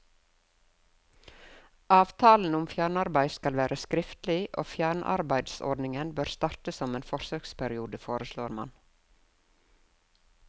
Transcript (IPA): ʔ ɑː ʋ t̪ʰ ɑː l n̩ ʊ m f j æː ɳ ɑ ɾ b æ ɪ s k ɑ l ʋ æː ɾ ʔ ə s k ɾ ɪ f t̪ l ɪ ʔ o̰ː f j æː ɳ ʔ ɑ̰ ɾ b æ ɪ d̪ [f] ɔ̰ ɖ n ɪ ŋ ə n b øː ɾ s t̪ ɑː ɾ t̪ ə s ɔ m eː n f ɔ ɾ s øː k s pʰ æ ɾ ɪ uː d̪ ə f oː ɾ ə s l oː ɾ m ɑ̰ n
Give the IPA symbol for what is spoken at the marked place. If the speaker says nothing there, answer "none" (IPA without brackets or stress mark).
s